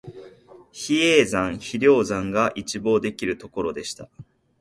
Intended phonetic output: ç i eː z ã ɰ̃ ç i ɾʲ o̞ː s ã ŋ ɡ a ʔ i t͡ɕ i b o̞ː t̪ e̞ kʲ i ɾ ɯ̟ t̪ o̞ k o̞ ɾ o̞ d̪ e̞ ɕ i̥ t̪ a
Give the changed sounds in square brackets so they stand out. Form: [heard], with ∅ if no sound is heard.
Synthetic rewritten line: ç i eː z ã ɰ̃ ç i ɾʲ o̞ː [z] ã ŋ ɡ a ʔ i t͡ɕ i b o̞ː [d̪] e̞ kʲ i ɾ ɯ̟ t̪ o̞ k o̞ ɾ o̞ d̪ e̞ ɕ i̥ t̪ a

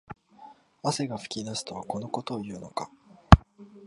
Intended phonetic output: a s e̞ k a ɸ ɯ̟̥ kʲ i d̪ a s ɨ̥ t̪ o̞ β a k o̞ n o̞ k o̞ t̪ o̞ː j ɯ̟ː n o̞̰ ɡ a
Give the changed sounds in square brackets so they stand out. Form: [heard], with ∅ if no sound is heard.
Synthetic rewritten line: a s e̞ [ɡ] a ɸ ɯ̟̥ kʲ i d̪ a s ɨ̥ t̪ o̞ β a k o̞ n o̞ k o̞ t̪ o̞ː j ɯ̟ː n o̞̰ [k] a

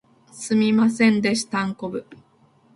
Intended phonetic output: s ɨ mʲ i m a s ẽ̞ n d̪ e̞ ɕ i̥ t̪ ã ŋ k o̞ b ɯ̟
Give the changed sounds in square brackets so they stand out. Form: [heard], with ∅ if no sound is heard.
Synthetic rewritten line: s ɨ mʲ i m a s ẽ̞ n d̪ e̞ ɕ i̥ t̪ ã ŋ k o̞ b ɯ̟

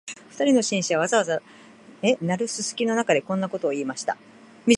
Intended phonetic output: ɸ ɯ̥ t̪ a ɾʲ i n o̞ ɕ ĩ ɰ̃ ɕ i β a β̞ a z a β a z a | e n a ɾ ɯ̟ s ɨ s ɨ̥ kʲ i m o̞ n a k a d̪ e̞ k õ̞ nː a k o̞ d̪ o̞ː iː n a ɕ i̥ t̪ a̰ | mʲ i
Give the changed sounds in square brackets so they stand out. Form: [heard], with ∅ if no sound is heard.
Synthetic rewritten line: ɸ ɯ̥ t̪ a ɾʲ i n o̞ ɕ ĩ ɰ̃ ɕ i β a β̞ a z a β a z a | e n a ɾ ɯ̟ s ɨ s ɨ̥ kʲ i [n] o̞ n a k a d̪ e̞ k õ̞ nː a k o̞ [t̪] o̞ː iː [m] a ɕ i̥ t̪ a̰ | mʲ i

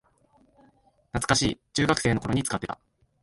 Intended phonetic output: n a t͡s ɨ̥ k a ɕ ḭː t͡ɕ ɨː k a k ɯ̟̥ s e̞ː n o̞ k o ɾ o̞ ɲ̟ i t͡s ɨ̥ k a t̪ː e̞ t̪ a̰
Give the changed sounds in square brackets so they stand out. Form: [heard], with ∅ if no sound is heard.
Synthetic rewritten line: n a t͡s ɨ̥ k a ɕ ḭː t͡ɕ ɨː [ɡ] a k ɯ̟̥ s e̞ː n o̞ k o ɾ o̞ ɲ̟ i t͡s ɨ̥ k a t̪ː e̞ t̪ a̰

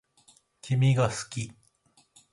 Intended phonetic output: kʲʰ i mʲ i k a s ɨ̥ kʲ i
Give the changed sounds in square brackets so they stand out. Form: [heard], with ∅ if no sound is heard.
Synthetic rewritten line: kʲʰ i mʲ i [ɡ] a s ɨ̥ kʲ i

